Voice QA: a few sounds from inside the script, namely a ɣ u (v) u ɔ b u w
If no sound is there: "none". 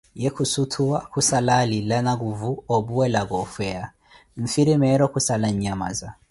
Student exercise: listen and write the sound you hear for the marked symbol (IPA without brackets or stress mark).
v